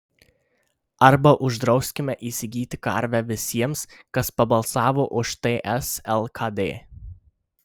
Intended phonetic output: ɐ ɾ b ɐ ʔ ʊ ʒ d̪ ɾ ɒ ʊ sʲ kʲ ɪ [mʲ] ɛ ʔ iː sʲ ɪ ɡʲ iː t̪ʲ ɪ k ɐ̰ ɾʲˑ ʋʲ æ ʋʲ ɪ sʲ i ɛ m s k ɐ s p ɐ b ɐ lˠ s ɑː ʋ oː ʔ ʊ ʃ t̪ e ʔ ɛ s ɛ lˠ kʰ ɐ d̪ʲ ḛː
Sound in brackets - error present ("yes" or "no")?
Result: no